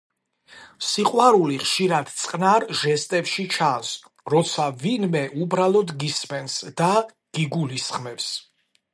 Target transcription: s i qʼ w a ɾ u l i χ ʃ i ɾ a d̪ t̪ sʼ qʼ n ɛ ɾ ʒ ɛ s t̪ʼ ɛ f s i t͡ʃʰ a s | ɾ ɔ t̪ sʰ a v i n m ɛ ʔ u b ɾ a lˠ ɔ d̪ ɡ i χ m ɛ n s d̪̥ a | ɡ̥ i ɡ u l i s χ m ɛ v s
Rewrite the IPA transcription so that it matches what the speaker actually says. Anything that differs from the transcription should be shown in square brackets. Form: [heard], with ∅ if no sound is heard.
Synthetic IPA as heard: s i qʼ w a ɾ u l i χ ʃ i ɾ a d̪ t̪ sʼ qʼ n [a] ɾ ʒ ɛ s t̪ʼ ɛ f [ʃ] i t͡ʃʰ a s | ɾ ɔ t̪ sʰ a v i n m ɛ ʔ u b ɾ a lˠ ɔ d̪ ɡ i [s] m ɛ n s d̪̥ a | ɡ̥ i ɡ u l i s χ m ɛ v s